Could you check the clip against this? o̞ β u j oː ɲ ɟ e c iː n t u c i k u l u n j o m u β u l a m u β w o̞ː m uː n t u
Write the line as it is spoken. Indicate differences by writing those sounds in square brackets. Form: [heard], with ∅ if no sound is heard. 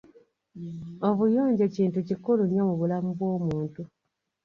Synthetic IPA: o̞ β u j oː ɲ ɟ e c iː n t u c i k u l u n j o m u β u l a m u β w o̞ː m uː n t u